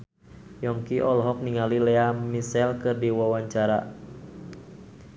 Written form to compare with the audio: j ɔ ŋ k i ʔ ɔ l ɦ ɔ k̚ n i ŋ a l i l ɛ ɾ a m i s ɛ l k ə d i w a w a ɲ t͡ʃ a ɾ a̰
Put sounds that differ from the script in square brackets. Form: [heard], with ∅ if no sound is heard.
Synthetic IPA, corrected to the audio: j ɔ ŋ k i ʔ ɔ l ɦ ɔ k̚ n i ŋ a l i l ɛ [∅] a m i s ɛ l k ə d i w a w a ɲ t͡ʃ a ɾ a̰